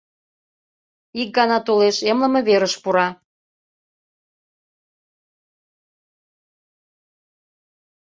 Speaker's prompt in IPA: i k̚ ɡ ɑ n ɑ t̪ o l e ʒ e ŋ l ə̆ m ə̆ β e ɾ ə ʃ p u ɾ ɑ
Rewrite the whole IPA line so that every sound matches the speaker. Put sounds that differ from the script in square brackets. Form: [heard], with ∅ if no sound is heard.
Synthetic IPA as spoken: i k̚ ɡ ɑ n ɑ t̪ o l e [ʃ] e [m] l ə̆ m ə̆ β e ɾ ə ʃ p u ɾ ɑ